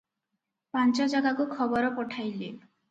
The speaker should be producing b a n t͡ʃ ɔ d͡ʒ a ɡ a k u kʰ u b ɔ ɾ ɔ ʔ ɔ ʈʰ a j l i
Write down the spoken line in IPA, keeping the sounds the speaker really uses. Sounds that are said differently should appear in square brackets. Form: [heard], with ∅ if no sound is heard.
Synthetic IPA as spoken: [p] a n t͡ʃ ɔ d͡ʒ a ɡ a k u kʰ [ɔ] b ɔ ɾ ɔ [p] ɔ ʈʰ a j l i